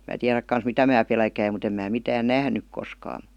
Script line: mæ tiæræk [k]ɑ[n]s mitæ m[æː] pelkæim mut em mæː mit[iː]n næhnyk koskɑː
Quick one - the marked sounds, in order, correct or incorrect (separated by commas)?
correct, correct, correct, incorrect